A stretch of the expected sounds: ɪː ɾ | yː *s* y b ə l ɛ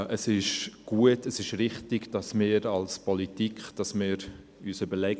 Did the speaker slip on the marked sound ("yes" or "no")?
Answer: no